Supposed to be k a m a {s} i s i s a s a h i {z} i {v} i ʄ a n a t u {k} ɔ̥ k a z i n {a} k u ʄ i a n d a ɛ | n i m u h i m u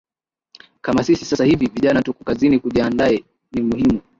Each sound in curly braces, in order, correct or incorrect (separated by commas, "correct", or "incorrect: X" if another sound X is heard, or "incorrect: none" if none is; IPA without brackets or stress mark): correct, incorrect: v, correct, correct, incorrect: i